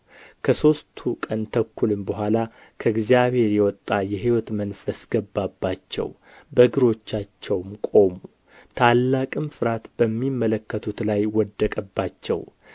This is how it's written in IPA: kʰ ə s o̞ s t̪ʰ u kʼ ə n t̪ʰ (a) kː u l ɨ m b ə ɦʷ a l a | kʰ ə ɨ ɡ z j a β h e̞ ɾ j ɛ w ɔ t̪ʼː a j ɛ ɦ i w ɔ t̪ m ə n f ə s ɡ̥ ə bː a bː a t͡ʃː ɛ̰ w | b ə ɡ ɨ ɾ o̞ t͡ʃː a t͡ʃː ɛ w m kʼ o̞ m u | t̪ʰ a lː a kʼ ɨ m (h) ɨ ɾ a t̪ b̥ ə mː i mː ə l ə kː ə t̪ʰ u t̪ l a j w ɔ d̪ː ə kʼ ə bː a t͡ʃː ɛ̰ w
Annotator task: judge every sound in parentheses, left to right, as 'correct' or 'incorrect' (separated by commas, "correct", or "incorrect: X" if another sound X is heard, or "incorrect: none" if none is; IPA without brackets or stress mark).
incorrect: ə, incorrect: f